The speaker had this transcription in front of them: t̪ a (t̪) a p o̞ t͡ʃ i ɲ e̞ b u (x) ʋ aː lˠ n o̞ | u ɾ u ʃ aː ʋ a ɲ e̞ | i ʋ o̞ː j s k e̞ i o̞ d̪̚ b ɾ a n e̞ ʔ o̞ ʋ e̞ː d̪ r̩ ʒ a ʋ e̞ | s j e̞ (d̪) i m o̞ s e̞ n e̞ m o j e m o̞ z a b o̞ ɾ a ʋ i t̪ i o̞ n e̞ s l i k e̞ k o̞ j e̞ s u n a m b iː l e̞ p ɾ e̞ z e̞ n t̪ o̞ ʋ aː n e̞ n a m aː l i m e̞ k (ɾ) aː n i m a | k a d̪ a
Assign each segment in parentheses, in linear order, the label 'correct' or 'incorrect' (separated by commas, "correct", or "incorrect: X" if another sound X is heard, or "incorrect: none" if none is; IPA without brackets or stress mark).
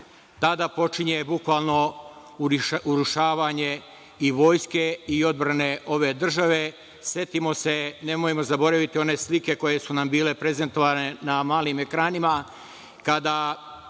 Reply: incorrect: d̪, incorrect: k, incorrect: t̪, correct